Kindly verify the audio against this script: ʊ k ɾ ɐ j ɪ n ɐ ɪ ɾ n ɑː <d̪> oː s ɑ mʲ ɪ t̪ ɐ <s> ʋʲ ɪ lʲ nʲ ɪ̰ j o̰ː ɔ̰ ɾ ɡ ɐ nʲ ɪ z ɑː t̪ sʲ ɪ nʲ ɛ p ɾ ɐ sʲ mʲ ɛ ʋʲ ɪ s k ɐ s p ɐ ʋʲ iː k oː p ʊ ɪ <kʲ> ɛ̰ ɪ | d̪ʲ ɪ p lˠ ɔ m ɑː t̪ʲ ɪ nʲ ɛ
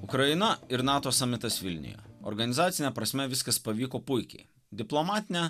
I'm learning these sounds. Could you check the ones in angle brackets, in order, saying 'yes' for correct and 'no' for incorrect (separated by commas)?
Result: no, yes, yes